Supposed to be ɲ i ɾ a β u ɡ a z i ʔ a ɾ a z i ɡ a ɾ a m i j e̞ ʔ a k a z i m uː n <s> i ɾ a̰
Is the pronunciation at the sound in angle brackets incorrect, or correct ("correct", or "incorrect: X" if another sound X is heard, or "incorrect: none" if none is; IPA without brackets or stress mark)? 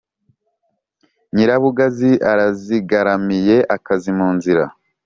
incorrect: z